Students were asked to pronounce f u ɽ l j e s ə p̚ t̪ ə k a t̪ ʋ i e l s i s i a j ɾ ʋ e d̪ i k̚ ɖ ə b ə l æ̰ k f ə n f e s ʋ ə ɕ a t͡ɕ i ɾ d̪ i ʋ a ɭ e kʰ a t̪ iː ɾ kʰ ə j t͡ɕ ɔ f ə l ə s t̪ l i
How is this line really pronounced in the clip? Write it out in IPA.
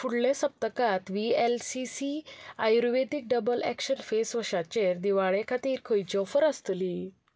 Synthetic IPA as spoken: f u ɽ l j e s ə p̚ t̪ ə k a t̪ ʋ i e l s i s i a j ɾ ʋ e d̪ i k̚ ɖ ə b ə l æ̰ k ɕ ə n f e s ʋ ə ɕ a t͡ɕ e ɾ d̪ i ʋ a ɭ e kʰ a t̪ iː ɾ kʰ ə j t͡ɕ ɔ f ə ɾ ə s t̪ l i